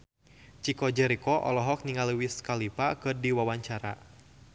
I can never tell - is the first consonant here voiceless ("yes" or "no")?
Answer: yes